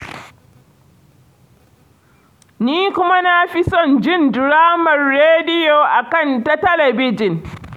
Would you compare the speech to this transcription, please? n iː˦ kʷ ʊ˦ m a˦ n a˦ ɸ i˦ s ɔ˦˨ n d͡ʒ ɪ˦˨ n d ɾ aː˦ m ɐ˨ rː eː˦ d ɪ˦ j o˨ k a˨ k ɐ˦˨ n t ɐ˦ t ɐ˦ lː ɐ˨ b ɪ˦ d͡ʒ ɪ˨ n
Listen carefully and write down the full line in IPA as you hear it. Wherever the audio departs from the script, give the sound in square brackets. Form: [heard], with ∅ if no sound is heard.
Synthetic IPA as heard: n iː˦ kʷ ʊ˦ m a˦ n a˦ ɸ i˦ s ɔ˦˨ n d͡ʒ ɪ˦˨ n d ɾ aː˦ m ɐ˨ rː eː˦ d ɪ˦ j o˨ [ʔ] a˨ k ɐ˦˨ n t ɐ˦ t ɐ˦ [l] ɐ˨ b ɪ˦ d͡ʒ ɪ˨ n